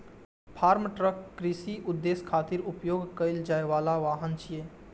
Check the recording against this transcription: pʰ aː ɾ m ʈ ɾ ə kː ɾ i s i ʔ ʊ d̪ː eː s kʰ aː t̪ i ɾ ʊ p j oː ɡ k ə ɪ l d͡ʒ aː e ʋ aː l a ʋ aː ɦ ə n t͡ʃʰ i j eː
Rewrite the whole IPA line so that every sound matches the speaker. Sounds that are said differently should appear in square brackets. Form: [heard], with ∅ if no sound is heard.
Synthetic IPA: pʰ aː ɾ m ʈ ɾ ə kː ɾ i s i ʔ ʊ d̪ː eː s kʰ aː t̪ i ɾ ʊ p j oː ɡ k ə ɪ l d͡ʒ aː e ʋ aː l a ʋ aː ɦ ə n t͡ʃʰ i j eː